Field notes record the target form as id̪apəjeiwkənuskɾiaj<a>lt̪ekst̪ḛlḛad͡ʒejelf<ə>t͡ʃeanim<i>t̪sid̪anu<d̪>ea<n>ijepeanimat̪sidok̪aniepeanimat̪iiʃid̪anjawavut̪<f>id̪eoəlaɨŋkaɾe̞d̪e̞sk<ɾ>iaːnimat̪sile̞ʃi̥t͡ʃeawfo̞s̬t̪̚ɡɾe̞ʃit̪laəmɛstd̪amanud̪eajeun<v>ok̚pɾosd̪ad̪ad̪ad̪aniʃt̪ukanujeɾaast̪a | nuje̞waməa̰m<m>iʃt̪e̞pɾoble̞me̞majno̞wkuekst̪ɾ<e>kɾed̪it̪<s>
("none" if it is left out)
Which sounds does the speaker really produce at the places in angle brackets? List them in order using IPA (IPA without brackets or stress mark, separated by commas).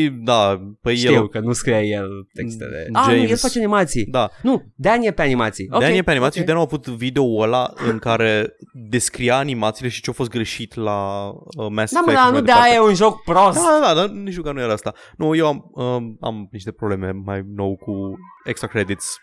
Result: e, a, a, d̪, n, v, ɾ, ʒ, n, a, s